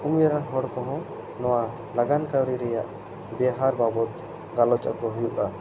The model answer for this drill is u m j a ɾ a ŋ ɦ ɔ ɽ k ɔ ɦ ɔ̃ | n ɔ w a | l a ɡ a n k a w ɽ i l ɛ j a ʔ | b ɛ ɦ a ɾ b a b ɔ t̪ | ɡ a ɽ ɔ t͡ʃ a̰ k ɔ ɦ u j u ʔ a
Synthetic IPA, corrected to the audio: u m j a ɾ a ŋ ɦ ɔ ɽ k ɔ ɦ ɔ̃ | n ɔ w a | l a ɡ a n k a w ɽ i ɾ ɛ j a ʔ | b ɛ ɦ a ɾ b a b ɔ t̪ | ɡ a l ɔ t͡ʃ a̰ k ɔ ɦ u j u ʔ a